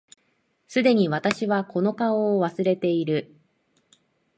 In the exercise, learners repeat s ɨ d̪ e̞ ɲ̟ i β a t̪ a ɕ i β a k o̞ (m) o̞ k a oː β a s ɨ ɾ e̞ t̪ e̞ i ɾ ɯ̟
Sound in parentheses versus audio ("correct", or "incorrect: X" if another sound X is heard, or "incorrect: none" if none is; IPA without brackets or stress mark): incorrect: n